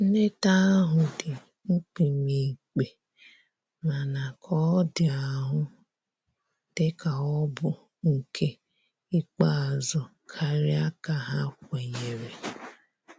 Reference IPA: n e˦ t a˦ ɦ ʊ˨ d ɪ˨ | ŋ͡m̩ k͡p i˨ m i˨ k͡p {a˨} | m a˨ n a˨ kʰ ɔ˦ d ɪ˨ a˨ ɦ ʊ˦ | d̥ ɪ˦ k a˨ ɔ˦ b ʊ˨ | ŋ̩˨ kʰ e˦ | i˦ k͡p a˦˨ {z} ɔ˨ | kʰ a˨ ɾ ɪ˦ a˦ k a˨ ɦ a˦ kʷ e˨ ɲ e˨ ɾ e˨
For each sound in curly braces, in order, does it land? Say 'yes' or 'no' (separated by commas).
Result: no, yes